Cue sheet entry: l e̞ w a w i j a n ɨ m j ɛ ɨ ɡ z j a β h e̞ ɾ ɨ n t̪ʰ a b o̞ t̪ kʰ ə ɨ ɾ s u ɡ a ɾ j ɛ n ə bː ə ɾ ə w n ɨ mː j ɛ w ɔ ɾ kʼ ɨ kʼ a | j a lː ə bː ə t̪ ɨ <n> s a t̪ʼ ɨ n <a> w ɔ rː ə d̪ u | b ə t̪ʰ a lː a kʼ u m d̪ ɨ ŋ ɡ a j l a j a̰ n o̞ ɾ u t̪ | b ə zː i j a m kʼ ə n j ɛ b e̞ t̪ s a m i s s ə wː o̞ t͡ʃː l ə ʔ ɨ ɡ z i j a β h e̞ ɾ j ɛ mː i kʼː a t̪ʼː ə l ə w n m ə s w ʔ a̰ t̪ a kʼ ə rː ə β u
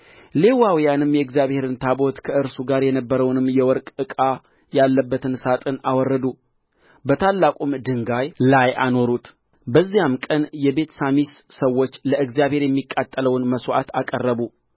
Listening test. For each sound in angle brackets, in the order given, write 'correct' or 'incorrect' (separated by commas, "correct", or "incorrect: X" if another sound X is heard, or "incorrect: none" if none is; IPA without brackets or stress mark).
correct, correct